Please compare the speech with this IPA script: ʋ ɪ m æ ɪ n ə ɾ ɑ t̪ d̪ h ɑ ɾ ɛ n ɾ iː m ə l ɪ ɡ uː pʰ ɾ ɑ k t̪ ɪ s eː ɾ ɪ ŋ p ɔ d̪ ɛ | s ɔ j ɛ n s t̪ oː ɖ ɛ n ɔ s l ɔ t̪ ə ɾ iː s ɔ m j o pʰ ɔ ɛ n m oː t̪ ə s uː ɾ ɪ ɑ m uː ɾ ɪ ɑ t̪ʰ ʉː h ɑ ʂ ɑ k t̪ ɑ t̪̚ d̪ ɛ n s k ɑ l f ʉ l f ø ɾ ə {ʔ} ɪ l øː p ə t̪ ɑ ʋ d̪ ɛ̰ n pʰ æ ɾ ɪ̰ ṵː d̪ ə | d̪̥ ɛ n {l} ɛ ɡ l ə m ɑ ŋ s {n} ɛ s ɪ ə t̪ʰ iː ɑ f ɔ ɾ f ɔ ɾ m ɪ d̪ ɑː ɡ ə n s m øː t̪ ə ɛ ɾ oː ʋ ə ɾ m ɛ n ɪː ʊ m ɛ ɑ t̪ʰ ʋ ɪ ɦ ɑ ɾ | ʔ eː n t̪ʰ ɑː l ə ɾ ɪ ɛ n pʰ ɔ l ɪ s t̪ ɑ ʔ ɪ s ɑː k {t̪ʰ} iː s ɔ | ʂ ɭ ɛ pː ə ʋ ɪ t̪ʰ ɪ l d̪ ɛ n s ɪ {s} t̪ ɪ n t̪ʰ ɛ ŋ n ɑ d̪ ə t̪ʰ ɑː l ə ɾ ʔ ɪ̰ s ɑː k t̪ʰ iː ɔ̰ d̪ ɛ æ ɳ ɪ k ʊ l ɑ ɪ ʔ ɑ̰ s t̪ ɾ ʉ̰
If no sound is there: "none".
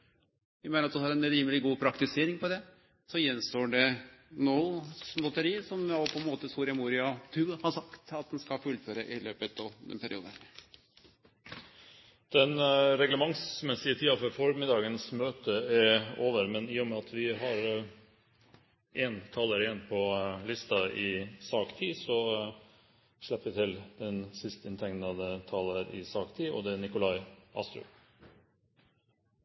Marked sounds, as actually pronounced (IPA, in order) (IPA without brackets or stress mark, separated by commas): ʔ, ɾ, m, t̪ʰ, s